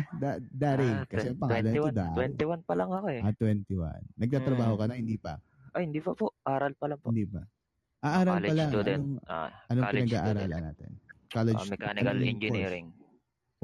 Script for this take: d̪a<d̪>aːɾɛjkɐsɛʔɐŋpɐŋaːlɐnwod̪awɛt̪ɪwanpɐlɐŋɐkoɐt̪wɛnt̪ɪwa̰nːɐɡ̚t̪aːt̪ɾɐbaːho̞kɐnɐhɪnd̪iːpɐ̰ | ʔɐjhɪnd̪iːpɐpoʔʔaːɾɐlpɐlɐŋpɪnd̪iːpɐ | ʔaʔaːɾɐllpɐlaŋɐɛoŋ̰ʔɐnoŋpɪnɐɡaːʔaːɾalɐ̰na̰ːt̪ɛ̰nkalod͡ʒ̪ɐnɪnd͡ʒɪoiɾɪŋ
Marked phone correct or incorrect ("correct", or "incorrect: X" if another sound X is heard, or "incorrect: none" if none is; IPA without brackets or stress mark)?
correct